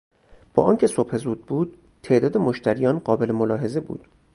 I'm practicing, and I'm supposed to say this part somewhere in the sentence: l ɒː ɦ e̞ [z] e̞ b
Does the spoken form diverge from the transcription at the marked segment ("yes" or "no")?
no